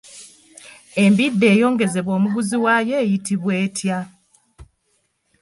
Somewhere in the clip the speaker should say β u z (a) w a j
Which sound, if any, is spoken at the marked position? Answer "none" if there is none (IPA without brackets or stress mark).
i